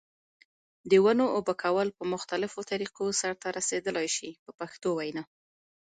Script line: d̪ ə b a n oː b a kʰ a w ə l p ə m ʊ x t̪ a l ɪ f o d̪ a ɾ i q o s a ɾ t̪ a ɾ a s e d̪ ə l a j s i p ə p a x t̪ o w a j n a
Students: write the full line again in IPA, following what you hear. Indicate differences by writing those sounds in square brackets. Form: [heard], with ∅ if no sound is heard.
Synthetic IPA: d̪ ə [w] a n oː b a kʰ a w ə l p ə m ʊ x t̪ a l ɪ f o [t̪] a ɾ i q o s a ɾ t̪ a ɾ a s e d̪ ə l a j [ʃ] i p ə p a x t̪ o w a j n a

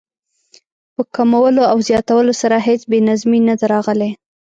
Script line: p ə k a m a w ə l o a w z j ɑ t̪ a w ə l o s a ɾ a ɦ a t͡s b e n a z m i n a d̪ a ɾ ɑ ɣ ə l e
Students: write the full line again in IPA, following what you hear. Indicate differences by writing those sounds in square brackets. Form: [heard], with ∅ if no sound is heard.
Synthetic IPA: p ə k a m a w ə l o a w z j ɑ t̪ a w ə l o s a ɾ a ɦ [e] t͡s b e n a z m i n a d̪ a ɾ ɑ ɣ ə l e

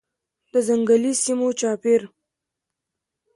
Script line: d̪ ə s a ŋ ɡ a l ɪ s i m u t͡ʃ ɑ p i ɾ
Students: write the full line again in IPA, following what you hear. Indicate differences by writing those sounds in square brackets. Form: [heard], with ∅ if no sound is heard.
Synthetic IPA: d̪ ə [z] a ŋ ɡ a l [i] s i m [o] t͡ʃ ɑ p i ɾ

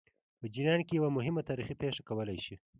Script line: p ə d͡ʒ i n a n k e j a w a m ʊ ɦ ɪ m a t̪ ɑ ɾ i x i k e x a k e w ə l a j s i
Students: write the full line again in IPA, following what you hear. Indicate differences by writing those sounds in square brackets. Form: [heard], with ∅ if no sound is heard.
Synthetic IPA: p ə d͡ʒ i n [ɑ] n k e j a w a m ʊ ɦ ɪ m a t̪ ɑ ɾ i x i [p] e [ʂ] a k [a] w ə l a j [ʃ] i

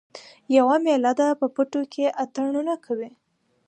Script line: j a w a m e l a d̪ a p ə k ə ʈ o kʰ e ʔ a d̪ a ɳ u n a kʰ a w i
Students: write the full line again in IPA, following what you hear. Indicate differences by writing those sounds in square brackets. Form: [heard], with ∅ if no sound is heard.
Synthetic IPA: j a w a m e l a d̪ a p ə [p] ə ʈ o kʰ e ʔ a [t̪] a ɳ u n a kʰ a w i

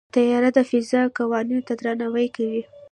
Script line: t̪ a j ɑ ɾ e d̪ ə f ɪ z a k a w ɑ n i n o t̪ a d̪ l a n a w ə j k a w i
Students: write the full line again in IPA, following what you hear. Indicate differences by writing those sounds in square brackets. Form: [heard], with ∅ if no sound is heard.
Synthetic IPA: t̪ a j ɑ ɾ [a] d̪ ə f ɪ z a k a w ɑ n i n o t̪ a d̪ [ɾ] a n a w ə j k a w i

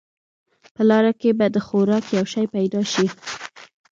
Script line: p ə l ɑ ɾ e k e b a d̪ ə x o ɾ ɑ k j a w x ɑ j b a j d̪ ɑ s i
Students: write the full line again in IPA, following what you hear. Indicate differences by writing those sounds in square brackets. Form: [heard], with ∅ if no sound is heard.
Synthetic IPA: p ə l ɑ ɾ [a] k e b a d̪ ə x o ɾ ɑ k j a w [ʃ] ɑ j [p] a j d̪ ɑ [ʃ] i

